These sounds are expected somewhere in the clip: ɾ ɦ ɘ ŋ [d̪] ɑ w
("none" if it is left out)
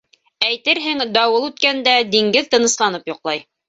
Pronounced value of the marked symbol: d̪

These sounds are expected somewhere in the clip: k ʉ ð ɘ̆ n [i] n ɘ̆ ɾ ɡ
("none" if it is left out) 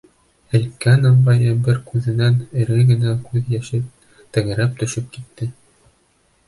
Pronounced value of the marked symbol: æ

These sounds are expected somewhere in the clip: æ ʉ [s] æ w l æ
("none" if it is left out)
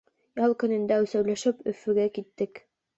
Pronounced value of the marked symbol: s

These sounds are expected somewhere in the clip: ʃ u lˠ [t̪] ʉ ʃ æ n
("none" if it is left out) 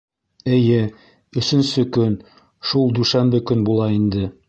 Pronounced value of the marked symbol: d̪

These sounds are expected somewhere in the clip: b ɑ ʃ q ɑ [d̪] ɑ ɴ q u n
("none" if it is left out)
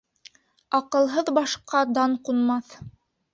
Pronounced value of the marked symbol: d̪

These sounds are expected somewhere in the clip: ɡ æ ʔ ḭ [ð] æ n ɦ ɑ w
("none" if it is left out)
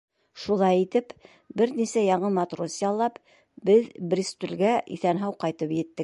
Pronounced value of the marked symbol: θ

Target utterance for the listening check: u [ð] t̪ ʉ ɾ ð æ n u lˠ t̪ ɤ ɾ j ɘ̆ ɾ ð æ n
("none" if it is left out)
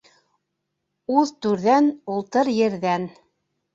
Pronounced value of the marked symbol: ð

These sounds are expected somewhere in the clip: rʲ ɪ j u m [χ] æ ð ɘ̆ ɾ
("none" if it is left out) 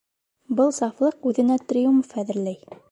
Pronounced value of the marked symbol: f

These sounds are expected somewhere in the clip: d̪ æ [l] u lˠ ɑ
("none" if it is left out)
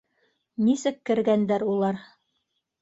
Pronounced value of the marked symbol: ɾ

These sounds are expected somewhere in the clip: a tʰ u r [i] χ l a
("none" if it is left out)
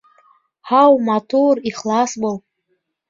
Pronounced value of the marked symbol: i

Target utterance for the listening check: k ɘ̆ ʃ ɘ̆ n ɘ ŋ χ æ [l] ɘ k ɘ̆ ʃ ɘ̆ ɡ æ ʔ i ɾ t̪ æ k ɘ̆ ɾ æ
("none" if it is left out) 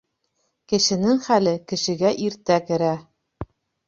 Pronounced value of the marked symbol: l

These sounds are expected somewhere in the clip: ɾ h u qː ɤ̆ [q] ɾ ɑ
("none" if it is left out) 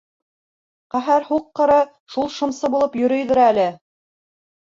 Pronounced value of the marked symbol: none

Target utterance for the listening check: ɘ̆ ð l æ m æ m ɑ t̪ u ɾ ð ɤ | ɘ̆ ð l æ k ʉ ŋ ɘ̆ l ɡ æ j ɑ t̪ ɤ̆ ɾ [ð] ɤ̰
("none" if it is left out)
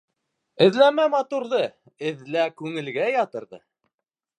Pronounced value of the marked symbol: ð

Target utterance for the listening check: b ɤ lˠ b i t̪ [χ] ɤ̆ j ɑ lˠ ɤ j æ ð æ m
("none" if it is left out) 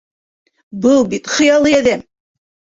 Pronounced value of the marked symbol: χ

